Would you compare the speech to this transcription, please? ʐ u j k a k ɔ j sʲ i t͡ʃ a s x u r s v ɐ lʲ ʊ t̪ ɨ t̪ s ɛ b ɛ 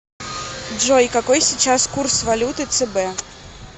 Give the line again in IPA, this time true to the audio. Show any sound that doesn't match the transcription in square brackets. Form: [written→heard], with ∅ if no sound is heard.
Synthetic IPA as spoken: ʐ [u→ɔ] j k a k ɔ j sʲ i t͡ʃ a s [x→k] u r s v [ɐ→a] lʲ [ʊ→u] t̪ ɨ t̪ s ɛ b ɛ